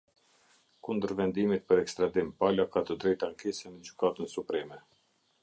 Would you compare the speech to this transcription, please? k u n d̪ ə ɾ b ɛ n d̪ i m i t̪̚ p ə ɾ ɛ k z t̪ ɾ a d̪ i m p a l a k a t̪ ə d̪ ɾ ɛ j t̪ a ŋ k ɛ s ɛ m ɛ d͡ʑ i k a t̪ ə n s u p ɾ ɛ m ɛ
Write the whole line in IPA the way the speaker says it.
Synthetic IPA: k u n d̪ ə ɾ v ɛ n d̪ i m i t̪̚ p ə ɾ ɛ k s t̪ ɾ a d̪ i m p a l a k a t̪ ə d̪ ɾ ɛ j t̪ a ŋ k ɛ s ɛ m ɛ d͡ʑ y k a t̪ ə n s u p ɾ ɛ m ɛ